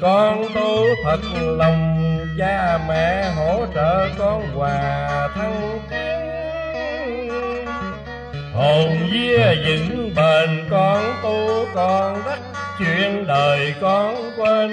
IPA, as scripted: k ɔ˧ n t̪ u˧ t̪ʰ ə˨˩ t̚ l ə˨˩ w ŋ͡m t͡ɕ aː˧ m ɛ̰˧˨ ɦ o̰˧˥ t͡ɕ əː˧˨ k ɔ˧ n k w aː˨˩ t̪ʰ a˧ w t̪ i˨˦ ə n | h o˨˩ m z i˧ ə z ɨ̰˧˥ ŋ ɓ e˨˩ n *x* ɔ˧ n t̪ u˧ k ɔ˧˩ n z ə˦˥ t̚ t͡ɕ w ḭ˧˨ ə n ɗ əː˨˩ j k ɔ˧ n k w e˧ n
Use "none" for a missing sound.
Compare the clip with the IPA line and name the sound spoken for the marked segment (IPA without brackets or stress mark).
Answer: k